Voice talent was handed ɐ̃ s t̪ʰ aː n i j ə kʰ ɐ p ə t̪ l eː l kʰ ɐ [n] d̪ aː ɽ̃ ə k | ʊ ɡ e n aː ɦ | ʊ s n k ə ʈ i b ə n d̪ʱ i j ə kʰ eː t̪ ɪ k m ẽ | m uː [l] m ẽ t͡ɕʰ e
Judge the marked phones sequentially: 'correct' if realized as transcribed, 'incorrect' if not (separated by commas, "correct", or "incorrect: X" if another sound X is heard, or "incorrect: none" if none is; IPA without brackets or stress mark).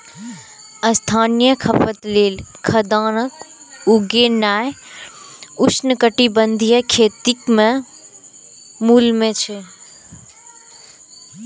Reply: incorrect: none, correct